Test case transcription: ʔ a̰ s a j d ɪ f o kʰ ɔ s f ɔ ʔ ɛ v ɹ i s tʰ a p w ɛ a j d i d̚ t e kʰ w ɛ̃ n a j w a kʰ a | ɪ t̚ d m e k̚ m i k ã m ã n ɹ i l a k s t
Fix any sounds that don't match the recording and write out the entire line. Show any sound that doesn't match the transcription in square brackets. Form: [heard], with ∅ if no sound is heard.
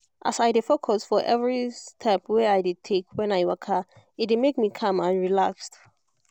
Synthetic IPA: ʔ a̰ s a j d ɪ f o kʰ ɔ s f ɔ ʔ ɛ v ɹ i s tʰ [ɛ] p w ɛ a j d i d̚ [tʰ] e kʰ w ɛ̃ n a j w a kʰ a | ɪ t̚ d m e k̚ m i [kʰ] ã m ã n ɹ i l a k s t